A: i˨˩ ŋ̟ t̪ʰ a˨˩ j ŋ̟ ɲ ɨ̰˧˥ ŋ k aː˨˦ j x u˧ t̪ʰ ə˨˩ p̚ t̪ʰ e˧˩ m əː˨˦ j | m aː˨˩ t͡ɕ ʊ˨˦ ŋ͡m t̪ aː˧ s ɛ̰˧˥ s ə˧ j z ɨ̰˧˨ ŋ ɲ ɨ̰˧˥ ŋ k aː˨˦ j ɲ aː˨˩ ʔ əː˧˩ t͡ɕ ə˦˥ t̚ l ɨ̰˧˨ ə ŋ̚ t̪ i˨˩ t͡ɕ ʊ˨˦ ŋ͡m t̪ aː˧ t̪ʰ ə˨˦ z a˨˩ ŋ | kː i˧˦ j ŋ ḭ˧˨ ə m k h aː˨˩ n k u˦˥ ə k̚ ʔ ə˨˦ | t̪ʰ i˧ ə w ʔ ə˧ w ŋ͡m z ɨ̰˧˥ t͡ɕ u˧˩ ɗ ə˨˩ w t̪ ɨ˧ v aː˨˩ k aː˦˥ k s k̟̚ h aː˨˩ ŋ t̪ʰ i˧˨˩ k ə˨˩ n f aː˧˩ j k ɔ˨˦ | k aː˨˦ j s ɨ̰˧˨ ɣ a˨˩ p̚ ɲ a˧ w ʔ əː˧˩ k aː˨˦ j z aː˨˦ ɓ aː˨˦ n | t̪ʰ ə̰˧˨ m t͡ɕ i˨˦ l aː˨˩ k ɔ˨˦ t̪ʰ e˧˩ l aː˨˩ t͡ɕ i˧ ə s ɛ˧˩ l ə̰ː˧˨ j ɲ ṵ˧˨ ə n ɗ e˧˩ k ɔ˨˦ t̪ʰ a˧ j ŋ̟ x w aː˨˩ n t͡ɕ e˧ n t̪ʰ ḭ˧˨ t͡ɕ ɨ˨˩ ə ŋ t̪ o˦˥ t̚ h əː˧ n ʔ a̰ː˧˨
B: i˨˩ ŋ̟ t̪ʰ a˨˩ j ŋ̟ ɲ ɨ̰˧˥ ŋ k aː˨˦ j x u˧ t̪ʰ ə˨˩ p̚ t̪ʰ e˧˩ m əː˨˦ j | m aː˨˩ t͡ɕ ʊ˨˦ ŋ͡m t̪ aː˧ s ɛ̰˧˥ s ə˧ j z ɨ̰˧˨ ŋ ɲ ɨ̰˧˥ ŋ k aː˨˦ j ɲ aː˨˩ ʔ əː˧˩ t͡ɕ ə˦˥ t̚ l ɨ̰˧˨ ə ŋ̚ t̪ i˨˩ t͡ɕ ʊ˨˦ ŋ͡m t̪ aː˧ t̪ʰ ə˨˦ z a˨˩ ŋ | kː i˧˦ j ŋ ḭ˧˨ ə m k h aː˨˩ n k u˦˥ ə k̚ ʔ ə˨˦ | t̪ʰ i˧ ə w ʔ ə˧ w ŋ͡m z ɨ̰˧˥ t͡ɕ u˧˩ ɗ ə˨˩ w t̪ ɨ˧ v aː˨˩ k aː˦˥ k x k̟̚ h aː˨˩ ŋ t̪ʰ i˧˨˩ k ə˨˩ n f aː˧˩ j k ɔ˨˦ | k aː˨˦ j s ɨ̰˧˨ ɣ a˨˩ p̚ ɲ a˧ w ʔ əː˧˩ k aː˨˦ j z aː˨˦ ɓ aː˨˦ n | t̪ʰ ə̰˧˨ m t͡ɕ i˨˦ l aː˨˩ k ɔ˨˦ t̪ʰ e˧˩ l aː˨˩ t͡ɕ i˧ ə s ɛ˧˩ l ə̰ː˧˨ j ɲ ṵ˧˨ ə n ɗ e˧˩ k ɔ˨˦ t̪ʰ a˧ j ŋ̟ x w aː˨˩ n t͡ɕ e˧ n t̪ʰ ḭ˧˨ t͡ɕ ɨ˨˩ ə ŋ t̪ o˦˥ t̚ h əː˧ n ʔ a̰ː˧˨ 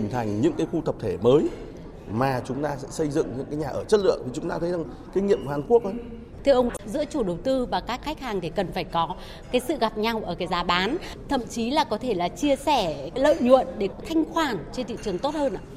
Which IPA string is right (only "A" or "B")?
B